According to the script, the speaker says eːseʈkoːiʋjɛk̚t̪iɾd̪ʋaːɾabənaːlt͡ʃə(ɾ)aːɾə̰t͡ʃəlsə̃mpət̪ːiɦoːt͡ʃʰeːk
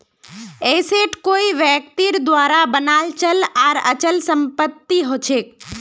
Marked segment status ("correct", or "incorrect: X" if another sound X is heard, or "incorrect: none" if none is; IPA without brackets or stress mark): incorrect: l